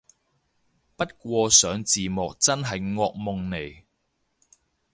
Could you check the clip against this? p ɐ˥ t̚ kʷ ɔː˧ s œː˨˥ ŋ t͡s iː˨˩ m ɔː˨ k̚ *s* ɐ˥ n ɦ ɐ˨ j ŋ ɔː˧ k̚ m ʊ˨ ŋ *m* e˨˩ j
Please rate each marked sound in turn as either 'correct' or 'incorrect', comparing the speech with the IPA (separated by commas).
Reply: incorrect, incorrect